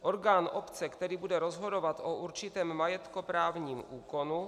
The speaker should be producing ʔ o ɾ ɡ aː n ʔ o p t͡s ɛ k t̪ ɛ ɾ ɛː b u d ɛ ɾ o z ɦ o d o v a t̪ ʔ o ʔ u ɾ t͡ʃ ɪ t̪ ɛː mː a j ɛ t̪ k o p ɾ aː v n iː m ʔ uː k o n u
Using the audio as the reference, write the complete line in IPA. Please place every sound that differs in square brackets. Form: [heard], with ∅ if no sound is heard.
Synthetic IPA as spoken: ʔ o ɾ ɡ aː n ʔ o p t͡s ɛ k t̪ ɛ ɾ [iː] b u d ɛ ɾ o z ɦ o d o v a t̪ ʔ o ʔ u ɾ t͡ʃ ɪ t̪ ɛː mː a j ɛ t̪ k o p ɾ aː v [ɲ] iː m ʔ uː k o n u